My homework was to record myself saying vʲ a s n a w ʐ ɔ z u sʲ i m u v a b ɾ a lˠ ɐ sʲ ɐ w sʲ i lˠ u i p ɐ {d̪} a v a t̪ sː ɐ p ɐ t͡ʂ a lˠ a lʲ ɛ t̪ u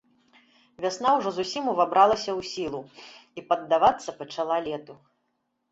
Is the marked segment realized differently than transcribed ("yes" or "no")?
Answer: yes